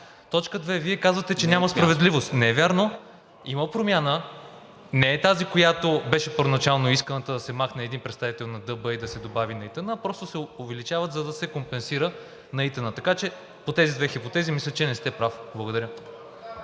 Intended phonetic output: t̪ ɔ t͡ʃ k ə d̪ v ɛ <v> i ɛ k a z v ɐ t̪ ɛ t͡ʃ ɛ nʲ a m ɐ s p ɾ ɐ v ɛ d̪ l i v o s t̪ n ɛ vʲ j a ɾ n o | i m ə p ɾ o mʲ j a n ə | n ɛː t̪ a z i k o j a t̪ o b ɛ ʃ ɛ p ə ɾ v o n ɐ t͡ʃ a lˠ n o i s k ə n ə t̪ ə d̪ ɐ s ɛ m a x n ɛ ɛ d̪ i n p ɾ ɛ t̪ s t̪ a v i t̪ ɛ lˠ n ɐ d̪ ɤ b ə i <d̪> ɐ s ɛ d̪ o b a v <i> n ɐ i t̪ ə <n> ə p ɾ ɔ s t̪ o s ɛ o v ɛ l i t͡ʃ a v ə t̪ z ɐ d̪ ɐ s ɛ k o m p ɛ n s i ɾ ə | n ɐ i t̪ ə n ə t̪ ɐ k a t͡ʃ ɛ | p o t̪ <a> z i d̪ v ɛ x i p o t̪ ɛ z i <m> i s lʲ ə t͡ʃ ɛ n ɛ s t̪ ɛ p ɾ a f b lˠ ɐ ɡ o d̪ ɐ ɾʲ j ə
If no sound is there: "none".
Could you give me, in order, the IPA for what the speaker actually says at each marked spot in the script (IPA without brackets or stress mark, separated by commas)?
v, d̪, i, n, ɛ, m